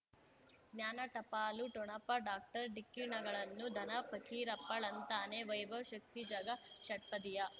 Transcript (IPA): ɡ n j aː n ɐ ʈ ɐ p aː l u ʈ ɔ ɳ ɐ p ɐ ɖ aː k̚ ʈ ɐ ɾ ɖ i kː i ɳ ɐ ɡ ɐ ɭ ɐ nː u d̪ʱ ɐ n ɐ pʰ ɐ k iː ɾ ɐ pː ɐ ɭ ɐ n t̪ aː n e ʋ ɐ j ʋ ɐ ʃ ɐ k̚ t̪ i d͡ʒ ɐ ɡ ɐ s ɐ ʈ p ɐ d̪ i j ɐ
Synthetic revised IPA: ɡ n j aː n ɐ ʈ ɐ p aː l u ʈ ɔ ɳ ɐ p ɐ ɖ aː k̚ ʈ ɐ ɾ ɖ i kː i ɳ ɐ ɡ ɐ ɭ ɐ nː u d̪ʱ ɐ n ɐ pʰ ɐ k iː ɾ ɐ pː ɐ ɭ ɐ n t̪ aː n e ʋ ɐ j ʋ ɐ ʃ ɐ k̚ t̪ i d͡ʒ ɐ ɡ ɐ ʃ ɐ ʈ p ɐ d̪ i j ɐ